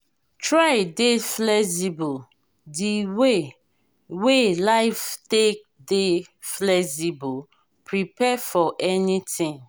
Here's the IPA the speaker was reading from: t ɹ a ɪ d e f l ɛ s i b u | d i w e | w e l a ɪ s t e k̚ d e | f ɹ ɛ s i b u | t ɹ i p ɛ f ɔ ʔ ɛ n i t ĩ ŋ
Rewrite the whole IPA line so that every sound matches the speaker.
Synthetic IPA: t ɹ a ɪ d e f l ɛ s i b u | d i w e | w e l a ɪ f t e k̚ d e | f l ɛ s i b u | p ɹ i p ɛ f ɔ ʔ ɛ n i t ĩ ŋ